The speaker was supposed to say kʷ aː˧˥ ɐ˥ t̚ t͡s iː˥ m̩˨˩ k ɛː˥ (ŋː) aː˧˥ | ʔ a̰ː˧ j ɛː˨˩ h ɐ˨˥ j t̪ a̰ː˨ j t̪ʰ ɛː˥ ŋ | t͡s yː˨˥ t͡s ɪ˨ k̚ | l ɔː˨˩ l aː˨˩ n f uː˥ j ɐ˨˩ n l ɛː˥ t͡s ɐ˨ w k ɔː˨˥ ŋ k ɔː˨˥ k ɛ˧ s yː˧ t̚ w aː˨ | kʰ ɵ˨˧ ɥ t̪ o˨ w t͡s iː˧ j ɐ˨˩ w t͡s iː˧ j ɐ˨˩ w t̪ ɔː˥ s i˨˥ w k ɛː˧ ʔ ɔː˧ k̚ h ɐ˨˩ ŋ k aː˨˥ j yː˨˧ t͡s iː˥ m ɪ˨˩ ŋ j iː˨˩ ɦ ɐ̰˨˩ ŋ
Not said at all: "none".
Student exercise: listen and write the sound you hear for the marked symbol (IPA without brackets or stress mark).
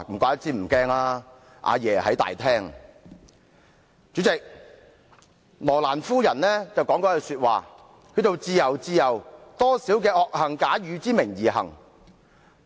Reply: ŋ